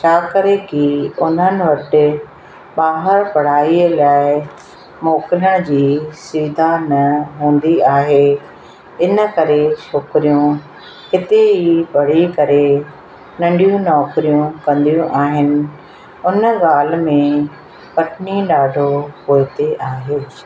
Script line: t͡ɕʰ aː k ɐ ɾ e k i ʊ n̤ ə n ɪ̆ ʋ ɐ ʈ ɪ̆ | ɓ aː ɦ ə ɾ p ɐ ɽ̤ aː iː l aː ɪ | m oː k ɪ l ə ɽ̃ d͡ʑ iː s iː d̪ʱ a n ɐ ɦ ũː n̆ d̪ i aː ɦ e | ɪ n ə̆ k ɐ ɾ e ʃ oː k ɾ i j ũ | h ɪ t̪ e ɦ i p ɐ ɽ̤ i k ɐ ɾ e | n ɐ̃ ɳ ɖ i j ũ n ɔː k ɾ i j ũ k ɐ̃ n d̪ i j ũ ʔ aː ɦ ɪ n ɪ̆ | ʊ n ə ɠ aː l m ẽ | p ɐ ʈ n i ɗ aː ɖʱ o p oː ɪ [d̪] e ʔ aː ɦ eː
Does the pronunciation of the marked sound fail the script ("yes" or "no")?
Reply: yes